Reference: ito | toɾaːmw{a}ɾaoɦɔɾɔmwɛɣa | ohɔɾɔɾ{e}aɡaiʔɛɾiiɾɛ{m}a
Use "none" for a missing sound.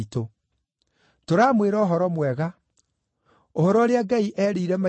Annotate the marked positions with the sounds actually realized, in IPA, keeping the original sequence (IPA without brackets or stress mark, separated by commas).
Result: e, e, m